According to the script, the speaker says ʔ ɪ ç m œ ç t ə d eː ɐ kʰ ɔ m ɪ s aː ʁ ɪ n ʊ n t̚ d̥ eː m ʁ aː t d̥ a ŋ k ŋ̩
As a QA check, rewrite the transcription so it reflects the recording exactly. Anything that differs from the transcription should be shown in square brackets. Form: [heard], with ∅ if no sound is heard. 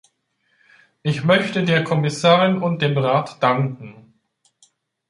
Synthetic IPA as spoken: ʔ ɪ ç m œ ç t ə d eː ɐ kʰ ɔ m ɪ s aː ʁ ɪ n ʊ n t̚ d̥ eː m ʁ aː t d̥ a ŋ k ŋ̩